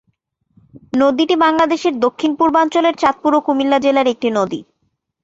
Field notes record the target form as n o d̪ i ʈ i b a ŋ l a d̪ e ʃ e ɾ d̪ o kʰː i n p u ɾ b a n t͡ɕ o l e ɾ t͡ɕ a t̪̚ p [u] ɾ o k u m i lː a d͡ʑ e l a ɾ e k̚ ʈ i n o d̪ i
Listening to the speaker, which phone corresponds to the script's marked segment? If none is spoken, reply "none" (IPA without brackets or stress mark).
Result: u